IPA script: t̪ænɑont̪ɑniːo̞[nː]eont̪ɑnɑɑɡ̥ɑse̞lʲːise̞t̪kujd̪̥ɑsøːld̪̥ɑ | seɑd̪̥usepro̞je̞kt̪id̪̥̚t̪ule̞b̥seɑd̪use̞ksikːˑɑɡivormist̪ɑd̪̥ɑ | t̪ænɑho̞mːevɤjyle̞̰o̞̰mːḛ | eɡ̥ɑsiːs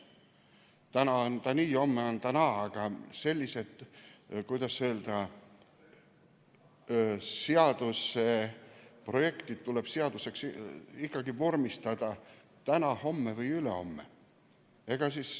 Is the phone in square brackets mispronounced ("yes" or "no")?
yes